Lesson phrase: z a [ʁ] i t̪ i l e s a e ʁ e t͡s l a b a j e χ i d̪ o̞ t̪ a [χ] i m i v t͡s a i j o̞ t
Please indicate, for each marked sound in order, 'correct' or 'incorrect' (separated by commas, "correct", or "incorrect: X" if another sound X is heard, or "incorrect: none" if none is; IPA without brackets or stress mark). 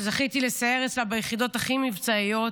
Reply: incorrect: χ, correct